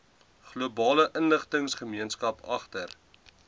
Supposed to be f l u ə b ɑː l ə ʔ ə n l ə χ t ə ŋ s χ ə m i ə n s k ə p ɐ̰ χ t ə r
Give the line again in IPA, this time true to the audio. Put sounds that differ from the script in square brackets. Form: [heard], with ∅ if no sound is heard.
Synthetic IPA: [χ] l u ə b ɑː l ə ʔ ə n l ə χ t ə ŋ s χ ə m i ə n s k [ɐ] p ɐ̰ χ t ə r